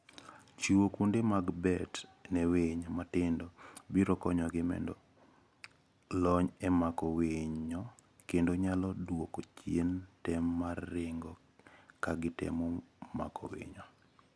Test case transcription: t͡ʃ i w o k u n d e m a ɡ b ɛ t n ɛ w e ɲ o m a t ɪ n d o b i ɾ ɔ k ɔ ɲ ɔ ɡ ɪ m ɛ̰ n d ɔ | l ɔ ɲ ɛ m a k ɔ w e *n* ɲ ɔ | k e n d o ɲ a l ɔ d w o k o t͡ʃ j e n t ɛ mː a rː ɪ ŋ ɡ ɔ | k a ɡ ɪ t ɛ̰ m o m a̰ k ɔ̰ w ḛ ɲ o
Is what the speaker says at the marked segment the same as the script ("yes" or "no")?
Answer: no